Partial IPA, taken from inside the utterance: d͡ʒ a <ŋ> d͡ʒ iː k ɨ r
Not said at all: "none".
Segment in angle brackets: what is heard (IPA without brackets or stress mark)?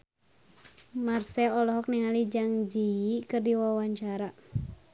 ŋ